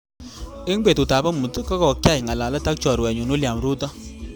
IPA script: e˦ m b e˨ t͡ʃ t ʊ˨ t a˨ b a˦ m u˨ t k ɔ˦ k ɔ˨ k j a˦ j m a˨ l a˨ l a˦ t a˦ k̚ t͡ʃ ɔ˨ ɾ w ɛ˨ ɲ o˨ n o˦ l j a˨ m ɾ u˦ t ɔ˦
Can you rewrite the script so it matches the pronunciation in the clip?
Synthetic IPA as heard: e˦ ŋ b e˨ t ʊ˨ t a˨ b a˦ m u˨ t k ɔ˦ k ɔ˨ k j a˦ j ŋ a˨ l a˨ l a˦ t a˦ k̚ t͡ʃ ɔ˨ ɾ w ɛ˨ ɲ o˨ n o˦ l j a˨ m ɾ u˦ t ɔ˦